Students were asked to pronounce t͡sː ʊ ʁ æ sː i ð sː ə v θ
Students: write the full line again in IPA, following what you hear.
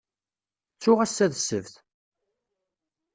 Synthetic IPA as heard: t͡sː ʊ ʁ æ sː æ ð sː ə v θ